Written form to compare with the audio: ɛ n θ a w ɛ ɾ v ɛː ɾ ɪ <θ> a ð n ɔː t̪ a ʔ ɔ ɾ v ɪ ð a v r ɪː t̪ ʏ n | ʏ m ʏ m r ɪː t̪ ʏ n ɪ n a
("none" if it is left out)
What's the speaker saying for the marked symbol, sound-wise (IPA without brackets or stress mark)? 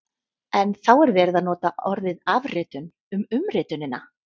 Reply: ð